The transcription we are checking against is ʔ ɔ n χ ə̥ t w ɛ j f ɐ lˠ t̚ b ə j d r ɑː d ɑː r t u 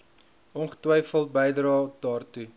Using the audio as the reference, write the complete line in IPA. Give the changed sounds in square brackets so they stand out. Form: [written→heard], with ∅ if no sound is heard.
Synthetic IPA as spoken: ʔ ɔ n χ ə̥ t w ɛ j f [ɐ→ə] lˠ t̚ b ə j d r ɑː d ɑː r t u